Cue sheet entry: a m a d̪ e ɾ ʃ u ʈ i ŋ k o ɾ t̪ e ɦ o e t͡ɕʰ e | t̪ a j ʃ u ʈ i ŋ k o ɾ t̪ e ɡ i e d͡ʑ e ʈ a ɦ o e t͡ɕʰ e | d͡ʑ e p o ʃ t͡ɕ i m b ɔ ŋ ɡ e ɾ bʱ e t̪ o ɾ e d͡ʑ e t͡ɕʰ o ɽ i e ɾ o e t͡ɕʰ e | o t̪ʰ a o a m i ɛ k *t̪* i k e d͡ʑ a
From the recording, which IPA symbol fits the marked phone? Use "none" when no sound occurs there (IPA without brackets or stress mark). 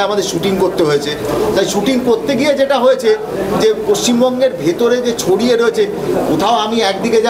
d̪